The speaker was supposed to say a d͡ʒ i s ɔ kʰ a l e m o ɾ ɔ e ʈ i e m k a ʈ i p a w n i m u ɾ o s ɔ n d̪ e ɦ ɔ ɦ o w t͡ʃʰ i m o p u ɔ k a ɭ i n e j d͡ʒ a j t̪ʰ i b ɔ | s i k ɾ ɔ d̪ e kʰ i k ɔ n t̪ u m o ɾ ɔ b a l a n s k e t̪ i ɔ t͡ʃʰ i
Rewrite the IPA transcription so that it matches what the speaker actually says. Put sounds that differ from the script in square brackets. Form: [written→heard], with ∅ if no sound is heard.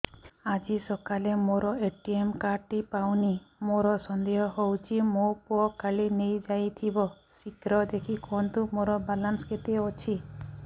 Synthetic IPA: a d͡ʒ i s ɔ [kʰ→k] a l e m o ɾ ɔ e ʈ i e m k a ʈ i p a w n i m [u→o] ɾ [o→ɔ] s ɔ n d̪ e ɦ ɔ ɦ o w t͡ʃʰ i m o p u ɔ k a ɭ i n e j d͡ʒ a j t̪ʰ i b ɔ | s i k ɾ ɔ d̪ e kʰ i k ɔ n t̪ u m o ɾ ɔ b a l a n s k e t̪ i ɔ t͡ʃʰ i